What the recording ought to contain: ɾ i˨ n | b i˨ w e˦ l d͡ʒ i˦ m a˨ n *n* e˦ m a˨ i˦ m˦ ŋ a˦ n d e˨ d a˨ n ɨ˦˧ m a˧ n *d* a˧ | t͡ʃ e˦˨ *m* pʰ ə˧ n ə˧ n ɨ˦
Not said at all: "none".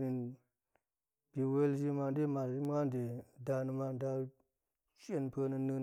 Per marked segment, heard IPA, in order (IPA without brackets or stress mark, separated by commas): d, d, n